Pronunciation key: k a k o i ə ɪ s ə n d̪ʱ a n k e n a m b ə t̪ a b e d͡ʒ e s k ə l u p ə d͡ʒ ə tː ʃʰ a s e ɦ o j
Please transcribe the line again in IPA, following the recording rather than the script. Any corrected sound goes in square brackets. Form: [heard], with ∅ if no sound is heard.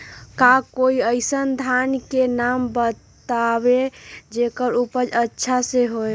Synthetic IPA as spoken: k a k o i ə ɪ s ə n d̪ʱ a n k e n a m b ə t̪ a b e d͡ʒ e [∅] k ə [ɾ] u p ə d͡ʒ ə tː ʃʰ a s e ɦ o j